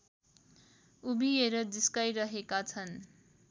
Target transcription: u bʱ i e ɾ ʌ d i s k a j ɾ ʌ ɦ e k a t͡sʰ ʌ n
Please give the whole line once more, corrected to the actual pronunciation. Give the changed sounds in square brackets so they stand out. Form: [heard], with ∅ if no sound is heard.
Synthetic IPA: u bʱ i e ɾ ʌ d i s k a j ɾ ʌ ɦ e k a t͡sʰ ʌ n